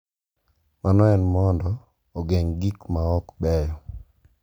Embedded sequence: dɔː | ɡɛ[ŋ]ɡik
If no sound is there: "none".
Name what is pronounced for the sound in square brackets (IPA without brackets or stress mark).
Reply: ŋ